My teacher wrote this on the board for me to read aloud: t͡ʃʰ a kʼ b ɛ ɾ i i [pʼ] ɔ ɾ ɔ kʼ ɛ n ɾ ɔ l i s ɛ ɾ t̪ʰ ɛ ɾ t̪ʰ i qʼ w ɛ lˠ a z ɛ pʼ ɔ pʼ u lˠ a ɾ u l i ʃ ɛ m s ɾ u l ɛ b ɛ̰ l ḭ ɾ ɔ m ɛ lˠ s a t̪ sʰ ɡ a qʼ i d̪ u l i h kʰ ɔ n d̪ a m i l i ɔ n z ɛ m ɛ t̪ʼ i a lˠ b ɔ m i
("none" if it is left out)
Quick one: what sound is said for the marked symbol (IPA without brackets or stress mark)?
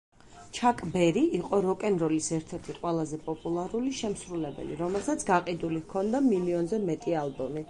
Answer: qʼ